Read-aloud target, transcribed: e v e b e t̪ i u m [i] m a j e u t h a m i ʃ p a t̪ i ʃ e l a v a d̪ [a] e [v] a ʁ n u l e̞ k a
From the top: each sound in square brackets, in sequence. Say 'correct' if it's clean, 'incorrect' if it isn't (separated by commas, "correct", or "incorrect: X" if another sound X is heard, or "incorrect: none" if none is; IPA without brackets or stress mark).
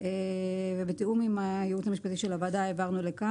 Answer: correct, correct, correct